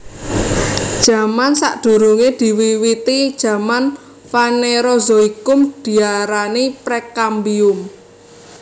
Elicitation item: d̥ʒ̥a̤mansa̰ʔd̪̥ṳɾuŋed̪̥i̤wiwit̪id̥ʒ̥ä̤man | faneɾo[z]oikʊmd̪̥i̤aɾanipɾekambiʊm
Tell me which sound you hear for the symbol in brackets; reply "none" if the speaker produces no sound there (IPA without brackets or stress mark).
z